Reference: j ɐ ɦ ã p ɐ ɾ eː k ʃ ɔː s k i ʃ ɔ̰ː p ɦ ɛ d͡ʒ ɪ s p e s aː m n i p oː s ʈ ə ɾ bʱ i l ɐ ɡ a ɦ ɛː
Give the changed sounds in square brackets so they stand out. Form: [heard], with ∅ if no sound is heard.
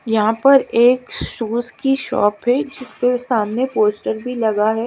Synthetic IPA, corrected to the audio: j ɐ ɦ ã p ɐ ɾ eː k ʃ [uː] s k i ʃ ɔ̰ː p ɦ ɛ d͡ʒ ɪ s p e s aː m n [e] p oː s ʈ ə ɾ bʱ i l ɐ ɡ a ɦ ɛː